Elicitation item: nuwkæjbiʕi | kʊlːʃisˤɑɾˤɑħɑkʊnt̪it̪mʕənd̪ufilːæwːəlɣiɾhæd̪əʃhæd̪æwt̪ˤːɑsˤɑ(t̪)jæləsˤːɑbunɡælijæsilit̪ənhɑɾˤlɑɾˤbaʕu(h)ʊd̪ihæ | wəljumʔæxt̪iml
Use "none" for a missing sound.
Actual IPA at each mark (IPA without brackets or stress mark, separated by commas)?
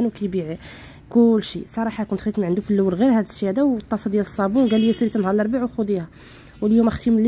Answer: d̪, x